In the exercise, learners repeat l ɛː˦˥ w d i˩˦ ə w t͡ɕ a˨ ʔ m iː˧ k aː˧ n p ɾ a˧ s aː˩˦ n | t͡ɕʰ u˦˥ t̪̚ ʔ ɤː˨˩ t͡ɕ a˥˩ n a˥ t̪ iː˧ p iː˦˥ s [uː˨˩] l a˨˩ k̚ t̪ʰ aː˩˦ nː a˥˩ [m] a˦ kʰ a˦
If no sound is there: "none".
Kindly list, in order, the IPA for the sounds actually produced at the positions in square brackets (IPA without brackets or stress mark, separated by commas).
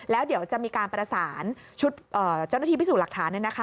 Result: uː˨˩, n